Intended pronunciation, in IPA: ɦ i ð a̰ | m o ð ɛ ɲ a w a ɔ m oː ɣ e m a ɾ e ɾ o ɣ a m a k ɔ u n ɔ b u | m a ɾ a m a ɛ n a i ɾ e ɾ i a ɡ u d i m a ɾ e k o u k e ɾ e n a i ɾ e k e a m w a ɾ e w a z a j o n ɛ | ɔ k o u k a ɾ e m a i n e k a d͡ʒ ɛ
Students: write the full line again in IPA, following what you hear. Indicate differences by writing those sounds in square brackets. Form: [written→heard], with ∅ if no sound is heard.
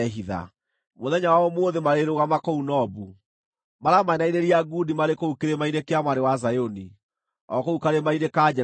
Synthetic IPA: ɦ i ð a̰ | m o ð ɛ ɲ a w a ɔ m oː [ɣ→ð] e m a ɾ e ɾ o ɣ a m a k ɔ u n ɔ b u | m a ɾ a m a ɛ n a i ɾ e ɾ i a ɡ u d i m a ɾ e k o u k e ɾ e [n→m] a i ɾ e k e a m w a ɾ e w a z a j o n [ɛ→i] | ɔ k o u k a ɾ e m a i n e k a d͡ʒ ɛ